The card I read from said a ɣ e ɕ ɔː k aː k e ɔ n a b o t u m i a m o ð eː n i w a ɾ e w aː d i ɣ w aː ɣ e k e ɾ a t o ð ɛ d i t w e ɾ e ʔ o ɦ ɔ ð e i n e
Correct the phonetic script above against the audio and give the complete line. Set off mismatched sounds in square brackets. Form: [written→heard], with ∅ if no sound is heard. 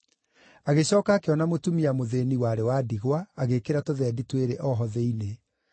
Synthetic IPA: a ɣ e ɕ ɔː k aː k e ɔ n a [b→m] o t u m i a m o ð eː n i w a ɾ e w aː d i ɣ w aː ɣ e k e ɾ a t o ð ɛ d i t w e ɾ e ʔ [o→ɔ] ɦ ɔ ð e i n e